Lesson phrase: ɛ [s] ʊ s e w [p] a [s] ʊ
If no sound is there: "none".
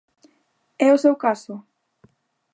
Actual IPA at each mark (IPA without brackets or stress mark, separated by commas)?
none, k, s